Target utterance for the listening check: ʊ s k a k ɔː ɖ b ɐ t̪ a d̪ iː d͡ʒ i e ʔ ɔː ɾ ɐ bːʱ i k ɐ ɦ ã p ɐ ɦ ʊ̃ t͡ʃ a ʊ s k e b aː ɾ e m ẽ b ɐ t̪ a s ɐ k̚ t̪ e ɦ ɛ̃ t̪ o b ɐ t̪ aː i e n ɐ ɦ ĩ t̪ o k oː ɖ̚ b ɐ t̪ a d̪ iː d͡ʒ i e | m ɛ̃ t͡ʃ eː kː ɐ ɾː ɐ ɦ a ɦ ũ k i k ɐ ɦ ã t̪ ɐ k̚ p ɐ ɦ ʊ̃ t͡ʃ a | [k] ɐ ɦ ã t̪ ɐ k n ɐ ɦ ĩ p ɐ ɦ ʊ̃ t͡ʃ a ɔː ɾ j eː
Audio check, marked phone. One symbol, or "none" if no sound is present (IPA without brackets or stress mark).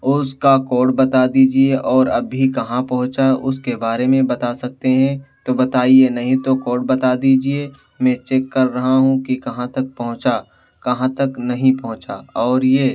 k